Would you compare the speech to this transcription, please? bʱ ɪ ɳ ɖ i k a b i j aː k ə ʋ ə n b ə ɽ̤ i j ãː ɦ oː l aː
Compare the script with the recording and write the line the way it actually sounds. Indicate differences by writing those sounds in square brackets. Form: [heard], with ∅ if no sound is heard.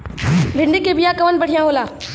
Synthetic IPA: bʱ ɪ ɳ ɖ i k [e] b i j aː k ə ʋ ə n b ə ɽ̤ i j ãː ɦ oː l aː